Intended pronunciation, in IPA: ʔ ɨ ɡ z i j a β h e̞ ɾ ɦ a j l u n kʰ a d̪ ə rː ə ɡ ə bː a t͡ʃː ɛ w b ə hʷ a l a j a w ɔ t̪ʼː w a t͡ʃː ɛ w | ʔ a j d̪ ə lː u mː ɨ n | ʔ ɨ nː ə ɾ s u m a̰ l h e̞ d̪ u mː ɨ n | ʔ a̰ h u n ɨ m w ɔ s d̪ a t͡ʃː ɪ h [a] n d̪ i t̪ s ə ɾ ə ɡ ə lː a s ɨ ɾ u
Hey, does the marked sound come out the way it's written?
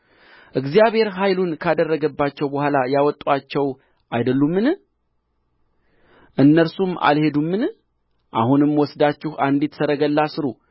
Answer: yes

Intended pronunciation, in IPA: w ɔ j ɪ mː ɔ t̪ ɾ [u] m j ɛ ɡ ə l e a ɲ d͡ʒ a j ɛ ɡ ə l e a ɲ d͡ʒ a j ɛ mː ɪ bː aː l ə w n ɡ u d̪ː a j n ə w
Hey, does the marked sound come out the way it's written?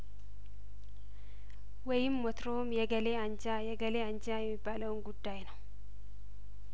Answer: no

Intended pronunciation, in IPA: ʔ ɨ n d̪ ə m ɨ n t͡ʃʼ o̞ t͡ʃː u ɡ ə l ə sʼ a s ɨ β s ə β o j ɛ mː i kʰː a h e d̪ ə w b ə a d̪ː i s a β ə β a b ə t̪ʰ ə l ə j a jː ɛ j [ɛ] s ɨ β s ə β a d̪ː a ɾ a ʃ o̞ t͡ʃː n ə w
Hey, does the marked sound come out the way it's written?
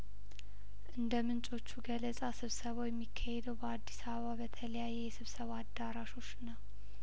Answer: yes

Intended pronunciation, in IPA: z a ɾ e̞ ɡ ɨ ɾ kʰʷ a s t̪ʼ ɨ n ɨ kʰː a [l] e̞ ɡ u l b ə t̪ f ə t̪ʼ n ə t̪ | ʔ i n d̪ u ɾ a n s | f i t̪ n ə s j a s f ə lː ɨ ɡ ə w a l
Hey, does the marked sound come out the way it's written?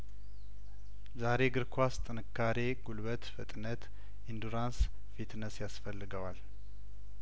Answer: no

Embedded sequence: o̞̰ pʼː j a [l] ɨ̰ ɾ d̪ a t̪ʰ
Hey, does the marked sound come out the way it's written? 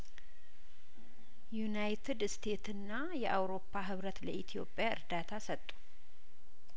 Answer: no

